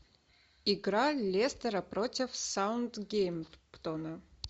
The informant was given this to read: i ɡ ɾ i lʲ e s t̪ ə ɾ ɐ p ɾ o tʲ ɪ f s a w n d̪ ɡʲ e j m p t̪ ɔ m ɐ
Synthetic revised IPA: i ɡ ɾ a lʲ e s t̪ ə ɾ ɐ p ɾ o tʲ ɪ f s a w n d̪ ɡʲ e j m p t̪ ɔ n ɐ